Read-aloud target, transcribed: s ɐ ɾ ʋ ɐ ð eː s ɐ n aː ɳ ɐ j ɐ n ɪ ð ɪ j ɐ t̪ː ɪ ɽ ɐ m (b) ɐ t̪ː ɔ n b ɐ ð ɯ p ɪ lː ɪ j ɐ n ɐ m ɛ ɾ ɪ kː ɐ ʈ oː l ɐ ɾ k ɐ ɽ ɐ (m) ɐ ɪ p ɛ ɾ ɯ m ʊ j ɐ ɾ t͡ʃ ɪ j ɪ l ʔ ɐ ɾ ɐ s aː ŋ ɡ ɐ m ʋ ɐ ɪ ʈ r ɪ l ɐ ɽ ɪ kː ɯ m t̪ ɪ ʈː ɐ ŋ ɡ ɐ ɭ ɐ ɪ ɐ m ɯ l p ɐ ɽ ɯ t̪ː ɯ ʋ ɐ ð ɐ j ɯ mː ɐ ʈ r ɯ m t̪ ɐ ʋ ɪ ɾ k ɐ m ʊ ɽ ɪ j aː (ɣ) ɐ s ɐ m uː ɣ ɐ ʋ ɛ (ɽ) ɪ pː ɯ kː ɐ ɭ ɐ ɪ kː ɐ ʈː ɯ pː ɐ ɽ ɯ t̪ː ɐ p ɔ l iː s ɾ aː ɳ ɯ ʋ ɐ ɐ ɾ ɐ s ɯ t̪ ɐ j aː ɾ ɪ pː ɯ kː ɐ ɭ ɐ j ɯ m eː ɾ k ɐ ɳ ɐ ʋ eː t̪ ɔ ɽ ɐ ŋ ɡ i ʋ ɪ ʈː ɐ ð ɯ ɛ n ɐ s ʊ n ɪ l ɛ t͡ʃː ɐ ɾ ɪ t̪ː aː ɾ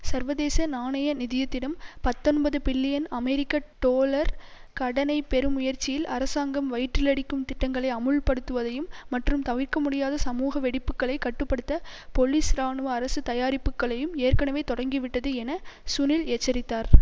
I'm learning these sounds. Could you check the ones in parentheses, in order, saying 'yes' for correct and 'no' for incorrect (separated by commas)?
no, no, no, yes